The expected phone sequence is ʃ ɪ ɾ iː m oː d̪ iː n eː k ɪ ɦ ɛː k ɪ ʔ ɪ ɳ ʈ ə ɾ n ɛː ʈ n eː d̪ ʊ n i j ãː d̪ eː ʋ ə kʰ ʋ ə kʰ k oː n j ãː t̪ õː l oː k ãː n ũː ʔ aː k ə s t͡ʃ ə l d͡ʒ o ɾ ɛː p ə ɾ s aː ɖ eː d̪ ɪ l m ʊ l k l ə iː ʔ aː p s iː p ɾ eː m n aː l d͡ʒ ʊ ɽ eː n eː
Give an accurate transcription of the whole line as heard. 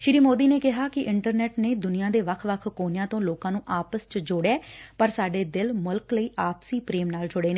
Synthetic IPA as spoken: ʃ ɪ ɾ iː m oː d̪ iː n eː k ɪ ɦ aː k ɪ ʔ ɪ ɳ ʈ ə ɾ n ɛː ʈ n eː d̪ ʊ n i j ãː d̪ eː ʋ ə kʰ ʋ ə kʰ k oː n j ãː t̪ õː l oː k ãː n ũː ʔ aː p ə s t͡ʃ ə d͡ʒ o ɽ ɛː p ə ɾ s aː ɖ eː d̪ ɪ l m ʊ l k l ə iː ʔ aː p s iː p ɾ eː m n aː l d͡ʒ ʊ ɽ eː n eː